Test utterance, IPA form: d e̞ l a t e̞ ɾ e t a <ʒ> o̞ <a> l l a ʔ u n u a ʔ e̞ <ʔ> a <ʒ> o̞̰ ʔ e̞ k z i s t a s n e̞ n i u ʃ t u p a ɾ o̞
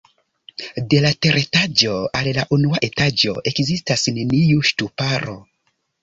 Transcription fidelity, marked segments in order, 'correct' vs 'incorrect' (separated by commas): incorrect, correct, incorrect, incorrect